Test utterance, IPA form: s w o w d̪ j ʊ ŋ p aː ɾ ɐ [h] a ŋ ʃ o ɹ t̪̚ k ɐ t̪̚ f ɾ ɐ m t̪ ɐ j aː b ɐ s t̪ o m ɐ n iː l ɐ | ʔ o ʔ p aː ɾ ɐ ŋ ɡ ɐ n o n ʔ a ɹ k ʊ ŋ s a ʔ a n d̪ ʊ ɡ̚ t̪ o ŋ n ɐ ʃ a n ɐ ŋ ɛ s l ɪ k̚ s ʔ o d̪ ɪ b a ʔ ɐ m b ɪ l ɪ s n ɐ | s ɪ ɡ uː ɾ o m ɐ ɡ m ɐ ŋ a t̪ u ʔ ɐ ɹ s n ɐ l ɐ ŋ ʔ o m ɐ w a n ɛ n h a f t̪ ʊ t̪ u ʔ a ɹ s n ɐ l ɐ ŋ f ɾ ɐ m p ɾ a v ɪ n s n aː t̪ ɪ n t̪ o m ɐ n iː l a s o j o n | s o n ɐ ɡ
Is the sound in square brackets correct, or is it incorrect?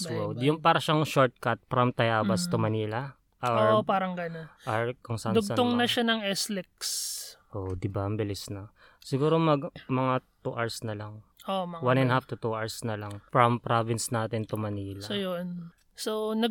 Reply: incorrect